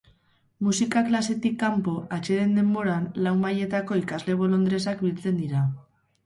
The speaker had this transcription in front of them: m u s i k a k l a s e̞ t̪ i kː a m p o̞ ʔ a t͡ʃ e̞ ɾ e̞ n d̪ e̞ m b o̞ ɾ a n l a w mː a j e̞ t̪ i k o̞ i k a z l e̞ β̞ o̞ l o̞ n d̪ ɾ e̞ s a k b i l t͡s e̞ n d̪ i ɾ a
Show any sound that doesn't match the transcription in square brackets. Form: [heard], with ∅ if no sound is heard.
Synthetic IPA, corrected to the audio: m u s i k a k l a s e̞ t̪ i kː a m p o̞ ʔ a t͡ʃ e̞ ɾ e̞ n d̪ e̞ m b o̞ ɾ a n l a w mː a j e̞ t̪ [a] k o̞ i k a z l e̞ β̞ o̞ l o̞ n d̪ ɾ e̞ s a k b i l t͡s e̞ n d̪ i ɾ a